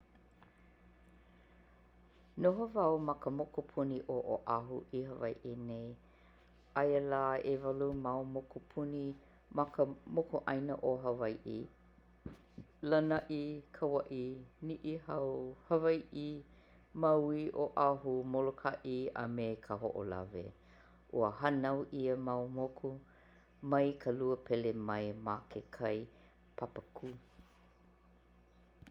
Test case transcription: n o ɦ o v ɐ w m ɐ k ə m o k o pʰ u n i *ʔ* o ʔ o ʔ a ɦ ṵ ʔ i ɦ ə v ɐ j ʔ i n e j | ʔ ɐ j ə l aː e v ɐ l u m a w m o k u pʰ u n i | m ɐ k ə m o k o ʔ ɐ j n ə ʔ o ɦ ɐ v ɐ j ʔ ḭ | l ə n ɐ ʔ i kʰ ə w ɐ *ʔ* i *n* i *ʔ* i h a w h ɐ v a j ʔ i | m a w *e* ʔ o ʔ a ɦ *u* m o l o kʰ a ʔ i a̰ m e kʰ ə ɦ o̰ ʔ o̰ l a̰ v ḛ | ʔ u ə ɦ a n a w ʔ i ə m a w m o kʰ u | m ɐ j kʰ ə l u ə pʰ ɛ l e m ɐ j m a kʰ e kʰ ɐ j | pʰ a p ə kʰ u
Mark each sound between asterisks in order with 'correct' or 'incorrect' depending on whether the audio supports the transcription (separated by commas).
correct, correct, correct, correct, incorrect, correct